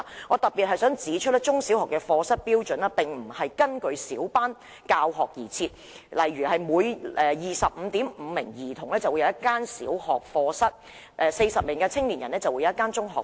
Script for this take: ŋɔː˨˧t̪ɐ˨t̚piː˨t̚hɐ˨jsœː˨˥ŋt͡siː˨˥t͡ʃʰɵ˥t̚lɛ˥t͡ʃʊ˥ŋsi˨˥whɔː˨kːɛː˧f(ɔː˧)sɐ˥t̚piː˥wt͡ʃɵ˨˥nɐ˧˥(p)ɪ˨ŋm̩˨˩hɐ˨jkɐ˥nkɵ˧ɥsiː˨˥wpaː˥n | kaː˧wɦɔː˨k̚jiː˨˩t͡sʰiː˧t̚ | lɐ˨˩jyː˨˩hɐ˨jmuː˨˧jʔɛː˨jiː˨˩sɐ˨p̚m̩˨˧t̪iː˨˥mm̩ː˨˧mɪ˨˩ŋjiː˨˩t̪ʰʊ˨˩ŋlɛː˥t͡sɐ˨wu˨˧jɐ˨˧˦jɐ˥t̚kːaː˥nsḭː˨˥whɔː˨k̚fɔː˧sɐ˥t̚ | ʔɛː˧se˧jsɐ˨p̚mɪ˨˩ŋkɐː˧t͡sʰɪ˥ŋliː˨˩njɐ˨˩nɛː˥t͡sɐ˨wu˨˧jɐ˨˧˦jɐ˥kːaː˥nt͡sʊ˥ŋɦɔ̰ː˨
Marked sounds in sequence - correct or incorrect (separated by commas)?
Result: correct, correct